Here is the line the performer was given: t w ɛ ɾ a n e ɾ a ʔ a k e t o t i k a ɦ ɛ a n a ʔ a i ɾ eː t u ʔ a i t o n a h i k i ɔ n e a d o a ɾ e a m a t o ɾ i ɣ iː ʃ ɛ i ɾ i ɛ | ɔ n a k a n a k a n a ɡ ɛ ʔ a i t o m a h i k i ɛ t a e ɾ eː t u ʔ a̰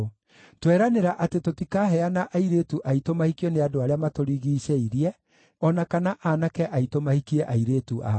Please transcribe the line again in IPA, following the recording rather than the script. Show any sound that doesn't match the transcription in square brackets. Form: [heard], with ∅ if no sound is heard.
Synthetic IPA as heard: t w ɛ ɾ a n e ɾ a ʔ a [t] e t o t i k a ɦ ɛ a n a ʔ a i ɾ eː t u ʔ a i t o [m] a h i k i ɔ n e a d o a ɾ e a m a t o ɾ i ɣ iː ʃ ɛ i ɾ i ɛ | ɔ n a k a n a [ʔ] a n a [k] ɛ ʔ a i t o m a h i k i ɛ [ʔ] a [i] ɾ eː t u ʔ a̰